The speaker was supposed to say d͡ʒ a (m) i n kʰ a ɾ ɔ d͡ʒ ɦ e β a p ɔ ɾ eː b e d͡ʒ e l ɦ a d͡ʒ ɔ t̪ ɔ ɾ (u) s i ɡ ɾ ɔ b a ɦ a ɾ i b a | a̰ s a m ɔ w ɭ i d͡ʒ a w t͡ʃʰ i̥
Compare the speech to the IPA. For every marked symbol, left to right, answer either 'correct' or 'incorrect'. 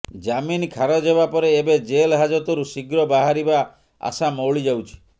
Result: correct, correct

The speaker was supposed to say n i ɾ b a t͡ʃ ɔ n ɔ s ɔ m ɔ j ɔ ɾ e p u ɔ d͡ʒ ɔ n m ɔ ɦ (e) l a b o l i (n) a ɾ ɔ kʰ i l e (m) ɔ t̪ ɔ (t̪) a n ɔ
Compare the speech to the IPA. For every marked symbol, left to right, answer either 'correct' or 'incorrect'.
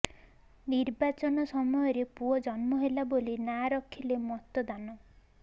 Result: correct, correct, correct, incorrect

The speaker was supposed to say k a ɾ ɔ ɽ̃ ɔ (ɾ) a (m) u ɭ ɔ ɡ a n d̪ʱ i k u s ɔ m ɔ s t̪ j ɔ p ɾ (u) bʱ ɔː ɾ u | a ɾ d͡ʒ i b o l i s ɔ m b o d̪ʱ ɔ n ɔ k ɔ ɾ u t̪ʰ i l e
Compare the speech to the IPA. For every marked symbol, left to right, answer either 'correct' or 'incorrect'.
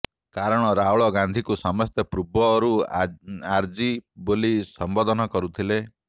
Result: correct, incorrect, correct

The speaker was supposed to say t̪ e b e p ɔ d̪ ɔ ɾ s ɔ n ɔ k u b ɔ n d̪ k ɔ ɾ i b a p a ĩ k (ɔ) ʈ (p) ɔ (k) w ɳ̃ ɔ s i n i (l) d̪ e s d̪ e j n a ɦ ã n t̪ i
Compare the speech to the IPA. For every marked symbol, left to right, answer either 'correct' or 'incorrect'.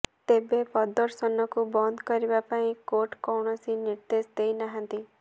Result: incorrect, incorrect, incorrect, incorrect

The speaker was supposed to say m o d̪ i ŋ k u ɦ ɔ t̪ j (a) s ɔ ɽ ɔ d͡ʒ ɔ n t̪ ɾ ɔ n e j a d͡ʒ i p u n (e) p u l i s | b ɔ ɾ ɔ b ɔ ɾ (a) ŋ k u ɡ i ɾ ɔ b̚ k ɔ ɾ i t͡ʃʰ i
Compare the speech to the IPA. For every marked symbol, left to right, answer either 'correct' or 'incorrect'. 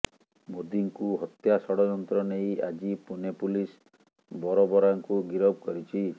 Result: correct, correct, correct

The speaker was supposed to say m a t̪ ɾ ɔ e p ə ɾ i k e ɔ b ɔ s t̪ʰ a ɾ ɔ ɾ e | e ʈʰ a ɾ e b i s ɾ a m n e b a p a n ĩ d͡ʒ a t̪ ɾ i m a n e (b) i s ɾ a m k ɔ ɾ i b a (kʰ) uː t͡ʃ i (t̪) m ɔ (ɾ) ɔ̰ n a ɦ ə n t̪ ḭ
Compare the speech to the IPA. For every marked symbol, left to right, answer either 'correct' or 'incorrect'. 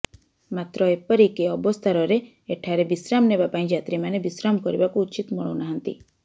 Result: correct, incorrect, correct, incorrect

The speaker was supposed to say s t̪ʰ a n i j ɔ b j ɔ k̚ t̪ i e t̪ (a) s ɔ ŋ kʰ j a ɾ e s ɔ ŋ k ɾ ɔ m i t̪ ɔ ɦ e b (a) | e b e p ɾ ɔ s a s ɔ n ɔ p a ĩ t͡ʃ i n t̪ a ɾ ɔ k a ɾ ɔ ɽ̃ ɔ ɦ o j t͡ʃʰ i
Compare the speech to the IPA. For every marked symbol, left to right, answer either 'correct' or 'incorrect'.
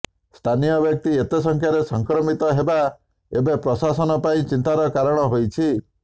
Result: incorrect, correct

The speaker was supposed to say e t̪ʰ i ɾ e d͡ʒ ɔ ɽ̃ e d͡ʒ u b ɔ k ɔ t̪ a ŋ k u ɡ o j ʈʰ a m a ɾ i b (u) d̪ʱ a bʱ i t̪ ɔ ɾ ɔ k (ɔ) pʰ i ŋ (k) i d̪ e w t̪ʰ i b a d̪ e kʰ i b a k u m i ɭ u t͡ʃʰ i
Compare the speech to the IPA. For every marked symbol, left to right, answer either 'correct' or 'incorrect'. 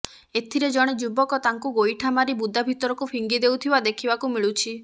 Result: correct, incorrect, incorrect

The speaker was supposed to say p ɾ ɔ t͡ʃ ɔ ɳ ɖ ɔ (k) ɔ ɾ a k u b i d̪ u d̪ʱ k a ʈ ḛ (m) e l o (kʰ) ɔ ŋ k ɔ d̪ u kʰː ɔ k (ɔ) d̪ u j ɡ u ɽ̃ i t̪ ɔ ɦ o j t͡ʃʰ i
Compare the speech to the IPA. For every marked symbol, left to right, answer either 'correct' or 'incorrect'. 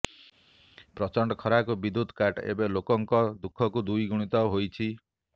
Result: incorrect, incorrect, incorrect, incorrect

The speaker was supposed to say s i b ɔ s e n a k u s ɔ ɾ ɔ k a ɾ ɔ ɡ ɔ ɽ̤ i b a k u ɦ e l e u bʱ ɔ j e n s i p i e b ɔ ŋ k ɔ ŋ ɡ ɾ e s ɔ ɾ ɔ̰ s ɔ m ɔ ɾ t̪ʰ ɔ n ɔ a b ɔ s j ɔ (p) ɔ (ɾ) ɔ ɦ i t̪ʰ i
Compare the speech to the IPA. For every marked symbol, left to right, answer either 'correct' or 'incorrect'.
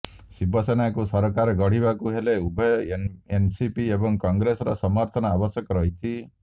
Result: incorrect, correct

